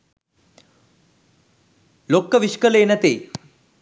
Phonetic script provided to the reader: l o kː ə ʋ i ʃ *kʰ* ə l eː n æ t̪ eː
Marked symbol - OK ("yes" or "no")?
no